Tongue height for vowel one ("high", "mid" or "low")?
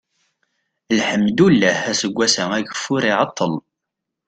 mid